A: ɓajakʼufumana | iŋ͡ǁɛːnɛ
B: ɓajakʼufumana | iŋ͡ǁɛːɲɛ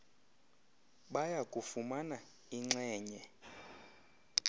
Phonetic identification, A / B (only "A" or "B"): B